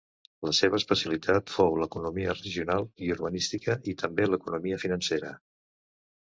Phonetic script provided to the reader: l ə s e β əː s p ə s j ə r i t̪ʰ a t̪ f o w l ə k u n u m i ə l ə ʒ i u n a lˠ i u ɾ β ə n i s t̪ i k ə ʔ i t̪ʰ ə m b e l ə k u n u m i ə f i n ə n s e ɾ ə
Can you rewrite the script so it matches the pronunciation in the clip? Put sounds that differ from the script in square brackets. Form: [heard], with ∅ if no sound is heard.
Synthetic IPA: l ə s e β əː s p ə s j ə [l] i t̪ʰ a t̪ f o w l ə k u n u m i ə [r] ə ʒ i u n a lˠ i u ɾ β ə n i s t̪ i k ə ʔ i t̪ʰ ə m b e l ə k u n u m i ə f i n ə n s e ɾ ə